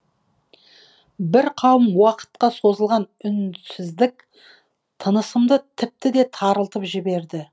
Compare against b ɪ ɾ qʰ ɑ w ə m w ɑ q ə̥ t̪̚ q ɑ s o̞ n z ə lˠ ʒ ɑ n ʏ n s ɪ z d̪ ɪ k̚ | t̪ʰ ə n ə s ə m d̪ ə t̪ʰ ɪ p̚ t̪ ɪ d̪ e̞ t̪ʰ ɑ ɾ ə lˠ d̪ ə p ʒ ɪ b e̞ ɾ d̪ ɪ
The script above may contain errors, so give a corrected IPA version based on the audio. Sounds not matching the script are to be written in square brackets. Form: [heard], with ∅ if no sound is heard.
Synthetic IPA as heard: b ɪ ɾ qʰ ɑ w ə m w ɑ q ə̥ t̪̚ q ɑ s o̞ [∅] z ə lˠ [ʁ] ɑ n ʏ n s ɪ z d̪ ɪ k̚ | t̪ʰ ə n ə s ə m d̪ ə t̪ʰ ɪ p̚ t̪ ɪ d̪ e̞ t̪ʰ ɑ ɾ ə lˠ [t̪] ə p ʒ ɪ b e̞ ɾ d̪ ɪ